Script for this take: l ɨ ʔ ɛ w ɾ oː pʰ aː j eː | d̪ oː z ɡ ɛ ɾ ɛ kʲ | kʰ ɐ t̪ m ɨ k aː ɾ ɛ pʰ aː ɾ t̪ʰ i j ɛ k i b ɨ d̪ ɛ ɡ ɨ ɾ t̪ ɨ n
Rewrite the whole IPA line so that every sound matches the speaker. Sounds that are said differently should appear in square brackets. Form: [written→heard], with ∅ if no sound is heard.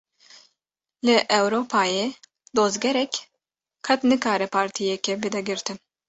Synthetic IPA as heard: l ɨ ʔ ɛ w ɾ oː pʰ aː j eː | d̪ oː z ɡ ɛ ɾ ɛ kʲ | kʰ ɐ t̪ [m→n] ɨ k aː ɾ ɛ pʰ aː ɾ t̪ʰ i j ɛ k [i→ɛ] b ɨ d̪ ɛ ɡ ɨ ɾ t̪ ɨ n